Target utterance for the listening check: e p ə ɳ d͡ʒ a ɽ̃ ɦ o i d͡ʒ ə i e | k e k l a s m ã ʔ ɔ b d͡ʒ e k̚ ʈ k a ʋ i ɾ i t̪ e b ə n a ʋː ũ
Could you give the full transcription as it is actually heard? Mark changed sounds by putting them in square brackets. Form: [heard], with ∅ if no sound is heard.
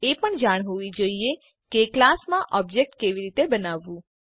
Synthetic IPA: e p ə ɳ d͡ʒ a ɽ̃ ɦ o i d͡ʒ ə i e | k e k l a s m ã ʔ ɔ b d͡ʒ e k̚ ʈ k [e] ʋ i ɾ i t̪ e b ə n a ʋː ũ